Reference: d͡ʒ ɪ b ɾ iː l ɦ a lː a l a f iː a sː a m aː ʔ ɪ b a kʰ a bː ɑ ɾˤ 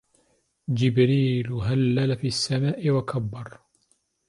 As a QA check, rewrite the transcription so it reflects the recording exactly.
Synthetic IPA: d͡ʒ ɪ b ɾ iː l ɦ a lː a l a f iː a sː a m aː ʔ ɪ w a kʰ a bː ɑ ɾˤ